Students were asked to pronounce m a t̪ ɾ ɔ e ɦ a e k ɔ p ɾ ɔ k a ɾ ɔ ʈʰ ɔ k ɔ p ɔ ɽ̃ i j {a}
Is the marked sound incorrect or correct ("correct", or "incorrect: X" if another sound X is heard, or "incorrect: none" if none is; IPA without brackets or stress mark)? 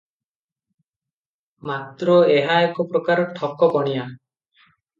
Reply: correct